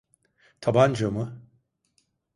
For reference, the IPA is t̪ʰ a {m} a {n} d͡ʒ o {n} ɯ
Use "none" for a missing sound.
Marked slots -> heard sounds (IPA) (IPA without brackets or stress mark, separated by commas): b, n, m